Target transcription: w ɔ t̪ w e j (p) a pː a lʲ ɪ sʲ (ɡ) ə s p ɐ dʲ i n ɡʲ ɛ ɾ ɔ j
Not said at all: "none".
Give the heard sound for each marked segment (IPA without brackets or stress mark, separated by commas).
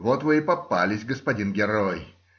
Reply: p, ɡ